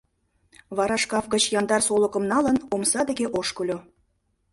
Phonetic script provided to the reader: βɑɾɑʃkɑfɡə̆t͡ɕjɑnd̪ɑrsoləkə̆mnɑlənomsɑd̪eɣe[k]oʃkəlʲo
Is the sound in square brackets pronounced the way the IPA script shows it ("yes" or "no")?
no